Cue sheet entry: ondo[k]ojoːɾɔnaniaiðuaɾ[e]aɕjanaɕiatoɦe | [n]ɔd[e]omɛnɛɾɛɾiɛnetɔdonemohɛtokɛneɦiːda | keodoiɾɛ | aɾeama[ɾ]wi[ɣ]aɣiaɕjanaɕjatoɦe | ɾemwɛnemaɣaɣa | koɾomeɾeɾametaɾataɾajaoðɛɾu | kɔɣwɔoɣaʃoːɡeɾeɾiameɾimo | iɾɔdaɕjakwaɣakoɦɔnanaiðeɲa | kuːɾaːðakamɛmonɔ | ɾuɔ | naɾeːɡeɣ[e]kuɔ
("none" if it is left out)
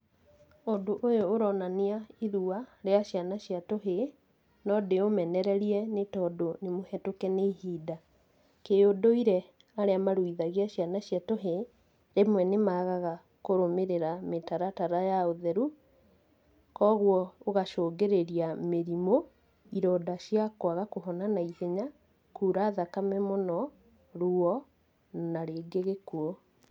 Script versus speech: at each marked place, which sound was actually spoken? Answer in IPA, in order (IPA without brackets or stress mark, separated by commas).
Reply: ʔ, e, n, e, ɾ, ð, e